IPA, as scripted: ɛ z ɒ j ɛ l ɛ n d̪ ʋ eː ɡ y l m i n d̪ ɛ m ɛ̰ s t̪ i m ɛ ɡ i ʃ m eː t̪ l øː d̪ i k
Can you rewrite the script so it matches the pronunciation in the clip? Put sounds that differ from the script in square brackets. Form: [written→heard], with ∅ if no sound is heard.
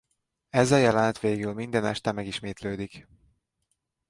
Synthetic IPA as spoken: ɛ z ɒ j ɛ l ɛ n [d̪→t̪] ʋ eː ɡ y l m i n d̪ ɛ [m→n] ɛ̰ [s→ʃ] t̪ [i→ɛ] m ɛ ɡ i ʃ m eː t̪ l øː d̪ i k